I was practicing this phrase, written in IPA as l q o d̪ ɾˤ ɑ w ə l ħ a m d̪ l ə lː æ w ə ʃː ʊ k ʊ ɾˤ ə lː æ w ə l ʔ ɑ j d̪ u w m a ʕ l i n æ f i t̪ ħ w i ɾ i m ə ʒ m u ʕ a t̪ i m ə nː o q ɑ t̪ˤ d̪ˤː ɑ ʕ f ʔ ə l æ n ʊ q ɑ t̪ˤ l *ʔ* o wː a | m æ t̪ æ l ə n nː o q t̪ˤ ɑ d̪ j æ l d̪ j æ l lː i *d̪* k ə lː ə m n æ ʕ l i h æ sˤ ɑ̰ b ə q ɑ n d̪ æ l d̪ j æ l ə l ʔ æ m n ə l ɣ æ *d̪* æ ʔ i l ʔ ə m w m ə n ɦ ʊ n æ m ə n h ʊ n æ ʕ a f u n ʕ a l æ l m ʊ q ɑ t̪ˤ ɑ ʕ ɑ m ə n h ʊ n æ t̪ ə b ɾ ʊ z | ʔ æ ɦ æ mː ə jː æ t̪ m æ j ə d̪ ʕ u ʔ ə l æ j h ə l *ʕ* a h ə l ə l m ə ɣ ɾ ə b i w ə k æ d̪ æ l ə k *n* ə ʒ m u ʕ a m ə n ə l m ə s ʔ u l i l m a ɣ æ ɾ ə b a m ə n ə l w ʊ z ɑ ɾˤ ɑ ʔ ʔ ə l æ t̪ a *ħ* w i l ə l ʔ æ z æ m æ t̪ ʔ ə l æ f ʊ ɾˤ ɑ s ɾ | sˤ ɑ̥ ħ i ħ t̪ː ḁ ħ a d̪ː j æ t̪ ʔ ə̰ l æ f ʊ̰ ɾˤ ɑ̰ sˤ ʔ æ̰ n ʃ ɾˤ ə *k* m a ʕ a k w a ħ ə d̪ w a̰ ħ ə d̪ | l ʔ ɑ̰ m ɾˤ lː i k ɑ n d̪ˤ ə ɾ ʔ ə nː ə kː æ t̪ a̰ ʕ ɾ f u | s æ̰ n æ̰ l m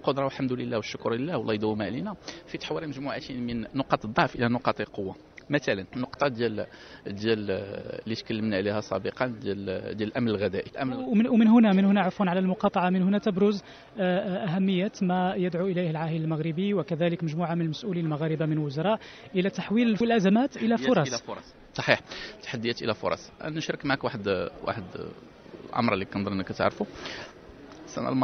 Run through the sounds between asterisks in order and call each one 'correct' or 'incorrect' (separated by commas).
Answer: incorrect, incorrect, correct, correct, incorrect, correct, correct